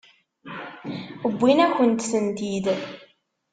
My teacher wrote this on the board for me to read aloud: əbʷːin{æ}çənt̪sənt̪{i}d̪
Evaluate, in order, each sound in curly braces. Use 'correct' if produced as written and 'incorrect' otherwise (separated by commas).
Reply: correct, correct